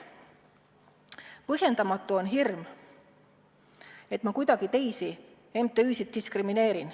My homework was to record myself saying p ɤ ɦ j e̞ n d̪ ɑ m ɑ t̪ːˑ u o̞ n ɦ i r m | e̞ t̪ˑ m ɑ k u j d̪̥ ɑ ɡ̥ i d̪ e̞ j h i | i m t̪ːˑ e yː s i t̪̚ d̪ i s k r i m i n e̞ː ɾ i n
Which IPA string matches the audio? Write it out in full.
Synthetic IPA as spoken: p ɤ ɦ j e̞ n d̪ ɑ m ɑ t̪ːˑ u o̞ n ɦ i r m | e̞ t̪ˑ m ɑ k u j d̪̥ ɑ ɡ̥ i t̪ e̞ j s i | e m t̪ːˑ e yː s i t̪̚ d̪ i s k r i m i n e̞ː ɾ i n